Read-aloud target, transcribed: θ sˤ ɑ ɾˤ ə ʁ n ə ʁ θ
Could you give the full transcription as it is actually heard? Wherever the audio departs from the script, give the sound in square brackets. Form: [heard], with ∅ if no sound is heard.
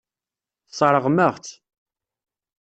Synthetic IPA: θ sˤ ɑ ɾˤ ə ʁ [m] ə ʁ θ